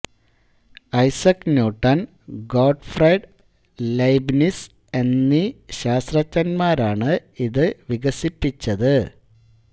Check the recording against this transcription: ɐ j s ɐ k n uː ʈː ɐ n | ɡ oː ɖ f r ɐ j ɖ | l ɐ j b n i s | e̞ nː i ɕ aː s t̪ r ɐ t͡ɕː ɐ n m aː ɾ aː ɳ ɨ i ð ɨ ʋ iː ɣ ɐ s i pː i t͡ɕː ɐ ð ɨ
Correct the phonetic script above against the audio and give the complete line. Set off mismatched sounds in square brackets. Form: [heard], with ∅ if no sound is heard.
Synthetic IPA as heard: ɐ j s ɐ k n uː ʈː ɐ n | ɡ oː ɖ f r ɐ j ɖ | l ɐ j b n i s | e̞ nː i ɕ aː s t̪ r ɐ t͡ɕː ɐ n m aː ɾ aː ɳ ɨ i ð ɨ ʋ [i] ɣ ɐ s i pː i t͡ɕː ɐ ð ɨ

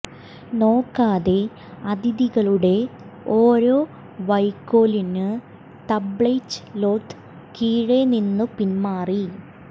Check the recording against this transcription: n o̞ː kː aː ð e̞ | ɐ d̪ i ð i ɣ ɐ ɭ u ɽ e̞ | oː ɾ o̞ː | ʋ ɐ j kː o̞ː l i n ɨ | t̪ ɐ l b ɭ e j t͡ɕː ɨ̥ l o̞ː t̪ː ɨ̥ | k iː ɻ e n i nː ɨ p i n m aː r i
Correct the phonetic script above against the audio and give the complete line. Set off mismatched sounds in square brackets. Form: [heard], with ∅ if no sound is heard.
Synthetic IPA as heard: n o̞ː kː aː ð e̞ | ɐ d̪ i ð i ɣ ɐ ɭ u ɽ e̞ | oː ɾ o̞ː | ʋ ɐ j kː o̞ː l i n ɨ | t̪ ɐ [∅] b ɭ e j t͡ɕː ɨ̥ l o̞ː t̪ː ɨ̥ | k iː ɻ e n i nː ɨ p i n m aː r i

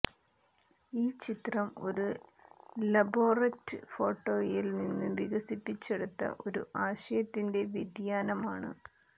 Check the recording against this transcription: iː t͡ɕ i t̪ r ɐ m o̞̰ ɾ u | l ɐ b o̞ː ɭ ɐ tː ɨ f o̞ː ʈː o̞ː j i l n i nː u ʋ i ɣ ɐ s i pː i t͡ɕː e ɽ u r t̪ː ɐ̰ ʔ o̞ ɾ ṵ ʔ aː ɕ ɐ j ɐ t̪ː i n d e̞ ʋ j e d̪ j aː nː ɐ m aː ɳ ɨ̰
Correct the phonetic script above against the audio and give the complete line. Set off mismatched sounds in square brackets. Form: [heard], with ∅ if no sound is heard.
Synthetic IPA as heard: iː t͡ɕ i t̪ r ɐ m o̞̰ ɾ u | l ɐ b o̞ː [r] ɐ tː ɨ f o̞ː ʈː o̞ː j i l n i nː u ʋ i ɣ ɐ s i pː i t͡ɕː e ɽ u [∅] t̪ː ɐ̰ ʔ o̞ ɾ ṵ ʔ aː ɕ ɐ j ɐ t̪ː i n d e̞ ʋ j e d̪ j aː [n] ɐ m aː ɳ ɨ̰

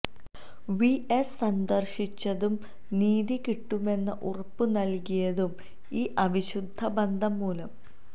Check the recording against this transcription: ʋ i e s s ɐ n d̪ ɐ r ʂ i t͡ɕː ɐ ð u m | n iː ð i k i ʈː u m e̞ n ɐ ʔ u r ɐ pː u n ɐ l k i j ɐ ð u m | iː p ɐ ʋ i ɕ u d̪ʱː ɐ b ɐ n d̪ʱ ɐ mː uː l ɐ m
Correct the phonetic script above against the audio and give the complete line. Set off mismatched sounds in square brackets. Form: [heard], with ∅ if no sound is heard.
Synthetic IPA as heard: ʋ i e s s ɐ n d̪ ɐ r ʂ i t͡ɕː ɐ ð u m | n iː ð i k i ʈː u m e̞ [nː] ɐ ʔ u r ɐ pː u n ɐ l k i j ɐ ð u m | iː [ʔ] ɐ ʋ i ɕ u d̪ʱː ɐ b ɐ n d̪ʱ ɐ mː uː l ɐ m

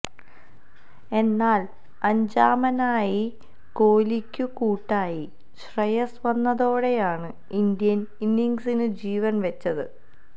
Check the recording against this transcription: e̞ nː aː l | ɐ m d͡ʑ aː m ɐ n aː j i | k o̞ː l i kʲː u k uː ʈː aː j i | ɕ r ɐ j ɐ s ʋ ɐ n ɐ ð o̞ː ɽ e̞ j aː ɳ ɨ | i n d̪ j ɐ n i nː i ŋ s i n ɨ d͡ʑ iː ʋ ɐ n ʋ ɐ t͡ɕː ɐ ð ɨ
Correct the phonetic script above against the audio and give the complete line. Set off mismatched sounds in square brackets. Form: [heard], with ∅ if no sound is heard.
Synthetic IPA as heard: e̞ nː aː l | ɐ [ɲ] d͡ʑ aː m ɐ n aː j i | k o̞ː l i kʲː u k uː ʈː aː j i | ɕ r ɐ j ɐ s ʋ ɐ [nː] ɐ ð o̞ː ɽ e̞ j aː ɳ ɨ | i n d̪ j ɐ n i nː i ŋ s i n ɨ d͡ʑ iː ʋ ɐ n ʋ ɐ t͡ɕː ɐ ð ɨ

